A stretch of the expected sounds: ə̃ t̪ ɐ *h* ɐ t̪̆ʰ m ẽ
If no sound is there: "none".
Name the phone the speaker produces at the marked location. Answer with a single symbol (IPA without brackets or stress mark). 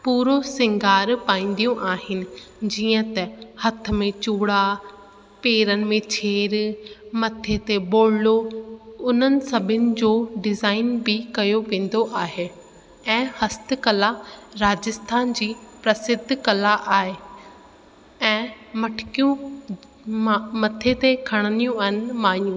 h